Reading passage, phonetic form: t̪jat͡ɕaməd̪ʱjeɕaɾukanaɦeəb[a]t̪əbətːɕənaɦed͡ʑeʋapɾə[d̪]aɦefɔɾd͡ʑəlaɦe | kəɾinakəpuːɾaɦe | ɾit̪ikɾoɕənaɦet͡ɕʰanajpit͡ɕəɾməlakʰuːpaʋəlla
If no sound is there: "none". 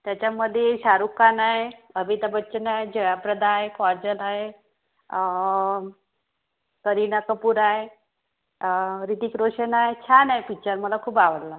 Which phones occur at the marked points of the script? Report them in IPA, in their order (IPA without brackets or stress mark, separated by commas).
i, d̪